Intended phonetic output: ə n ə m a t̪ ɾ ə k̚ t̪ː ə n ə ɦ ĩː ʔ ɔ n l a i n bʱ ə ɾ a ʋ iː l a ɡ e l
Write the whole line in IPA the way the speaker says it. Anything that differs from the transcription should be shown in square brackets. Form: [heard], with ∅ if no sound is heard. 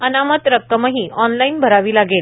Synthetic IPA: ə n [a] m [ə] t̪ ɾ ə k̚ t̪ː ə [m] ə ɦ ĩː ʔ ɔ n l a i n bʱ ə ɾ a ʋ iː l a ɡ e l